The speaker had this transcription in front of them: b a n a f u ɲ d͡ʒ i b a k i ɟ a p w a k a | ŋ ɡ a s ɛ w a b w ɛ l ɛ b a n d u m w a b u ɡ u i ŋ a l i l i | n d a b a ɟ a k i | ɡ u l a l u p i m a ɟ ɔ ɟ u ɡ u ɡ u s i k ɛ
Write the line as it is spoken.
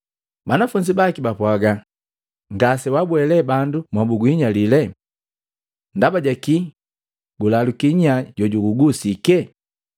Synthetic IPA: b a n a f u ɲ d͡ʒ i b a k i b a p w a ɡ a | ŋ ɡ a s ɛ w a b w ɛ l ɛ b a n d u m w a b u ɡ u i ɲ a l i l ɛ | n d a b a ɟ a k i | ɡ u l a l u k i ɲ a ɟ ɔ ɟ u ɡ u ɡ u s i k ɛ